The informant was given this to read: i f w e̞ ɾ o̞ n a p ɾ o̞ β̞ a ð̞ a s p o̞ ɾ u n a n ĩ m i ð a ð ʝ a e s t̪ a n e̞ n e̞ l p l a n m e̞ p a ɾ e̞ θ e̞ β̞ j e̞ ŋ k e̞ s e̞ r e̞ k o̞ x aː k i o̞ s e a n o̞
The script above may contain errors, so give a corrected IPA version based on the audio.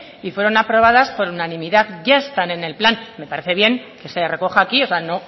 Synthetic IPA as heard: i f w e̞ ɾ o̞ n a p ɾ o̞ β̞ a ð̞ a s p o̞ ɾ u n a n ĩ m i ð a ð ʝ a e s t̪ a n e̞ n e̞ l p l a n m e̞ p a ɾ e̞ θ e̞ β̞ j e̞ ŋ k e̞ s e̞ r e̞ k o̞ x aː k i o̞ s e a n o̞